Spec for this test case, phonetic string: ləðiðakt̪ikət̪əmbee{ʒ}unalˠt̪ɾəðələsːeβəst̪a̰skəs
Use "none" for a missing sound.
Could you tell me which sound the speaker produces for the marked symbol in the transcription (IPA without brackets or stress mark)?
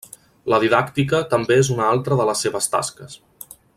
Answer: z